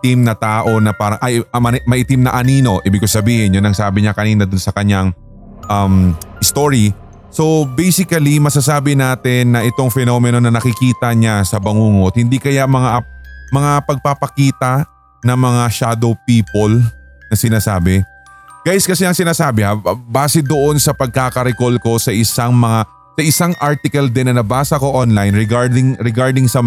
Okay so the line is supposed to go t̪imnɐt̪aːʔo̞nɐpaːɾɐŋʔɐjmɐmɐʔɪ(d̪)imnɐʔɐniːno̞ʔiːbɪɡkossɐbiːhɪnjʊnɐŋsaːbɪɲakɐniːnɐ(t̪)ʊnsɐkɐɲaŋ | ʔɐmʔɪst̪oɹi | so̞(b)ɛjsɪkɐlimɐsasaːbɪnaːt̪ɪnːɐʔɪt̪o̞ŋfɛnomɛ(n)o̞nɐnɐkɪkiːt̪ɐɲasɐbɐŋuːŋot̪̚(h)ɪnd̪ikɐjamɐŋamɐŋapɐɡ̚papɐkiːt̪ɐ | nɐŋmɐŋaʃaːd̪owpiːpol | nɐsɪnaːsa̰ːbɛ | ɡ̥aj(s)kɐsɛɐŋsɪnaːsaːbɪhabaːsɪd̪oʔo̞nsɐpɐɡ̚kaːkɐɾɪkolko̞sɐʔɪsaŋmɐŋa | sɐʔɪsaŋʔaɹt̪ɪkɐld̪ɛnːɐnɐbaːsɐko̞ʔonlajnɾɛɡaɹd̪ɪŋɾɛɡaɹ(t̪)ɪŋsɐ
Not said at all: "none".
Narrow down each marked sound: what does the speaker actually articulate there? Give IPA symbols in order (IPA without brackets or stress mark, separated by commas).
t̪, d̪, b, n, h, s, d̪